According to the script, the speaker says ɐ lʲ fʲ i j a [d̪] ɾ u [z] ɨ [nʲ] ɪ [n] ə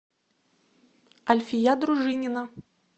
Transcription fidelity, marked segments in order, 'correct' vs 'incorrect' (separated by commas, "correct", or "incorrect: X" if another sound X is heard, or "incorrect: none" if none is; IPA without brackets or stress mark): correct, incorrect: ʐ, correct, correct